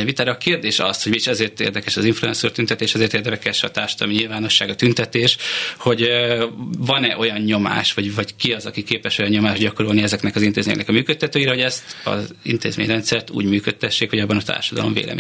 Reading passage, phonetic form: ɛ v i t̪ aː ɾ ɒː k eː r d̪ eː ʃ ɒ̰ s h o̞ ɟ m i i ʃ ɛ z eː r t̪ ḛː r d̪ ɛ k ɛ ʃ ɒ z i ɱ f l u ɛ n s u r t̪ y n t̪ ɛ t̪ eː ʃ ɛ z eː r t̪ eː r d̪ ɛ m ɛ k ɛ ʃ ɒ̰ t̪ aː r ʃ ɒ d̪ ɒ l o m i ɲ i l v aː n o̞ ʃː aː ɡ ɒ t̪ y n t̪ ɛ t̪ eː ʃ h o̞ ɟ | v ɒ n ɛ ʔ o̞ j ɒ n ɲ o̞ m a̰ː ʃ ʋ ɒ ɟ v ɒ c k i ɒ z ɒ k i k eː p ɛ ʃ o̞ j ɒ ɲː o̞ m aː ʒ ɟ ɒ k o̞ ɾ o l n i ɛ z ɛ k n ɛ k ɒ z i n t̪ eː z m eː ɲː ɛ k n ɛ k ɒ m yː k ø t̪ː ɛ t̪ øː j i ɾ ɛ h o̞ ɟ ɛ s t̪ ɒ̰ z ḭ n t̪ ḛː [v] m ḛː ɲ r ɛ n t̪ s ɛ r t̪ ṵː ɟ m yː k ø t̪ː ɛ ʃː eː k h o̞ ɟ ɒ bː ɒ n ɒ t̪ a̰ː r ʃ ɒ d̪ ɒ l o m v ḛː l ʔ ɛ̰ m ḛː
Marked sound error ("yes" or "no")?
yes